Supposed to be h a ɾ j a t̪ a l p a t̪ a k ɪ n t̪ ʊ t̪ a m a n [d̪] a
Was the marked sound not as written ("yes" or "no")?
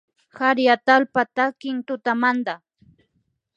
no